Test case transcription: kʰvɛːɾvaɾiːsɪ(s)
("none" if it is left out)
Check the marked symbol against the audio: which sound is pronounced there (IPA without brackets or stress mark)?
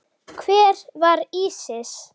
s